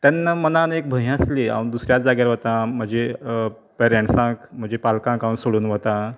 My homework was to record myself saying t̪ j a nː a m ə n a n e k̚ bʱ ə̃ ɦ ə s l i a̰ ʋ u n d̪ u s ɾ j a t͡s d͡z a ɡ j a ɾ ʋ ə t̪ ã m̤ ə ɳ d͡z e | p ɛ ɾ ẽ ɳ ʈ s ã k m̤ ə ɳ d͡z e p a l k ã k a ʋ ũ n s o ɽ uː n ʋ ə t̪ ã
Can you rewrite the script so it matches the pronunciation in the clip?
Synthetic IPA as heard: t̪ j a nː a m ə n a n e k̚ bʱ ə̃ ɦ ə s l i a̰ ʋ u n d̪ u s ɾ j a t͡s d͡z a ɡ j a ɾ ʋ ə t̪ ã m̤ ə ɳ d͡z e | p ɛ ɾ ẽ ɳ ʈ s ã k m̤ ə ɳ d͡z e p a l k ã k a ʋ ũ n s o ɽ uː n ʋ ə t̪ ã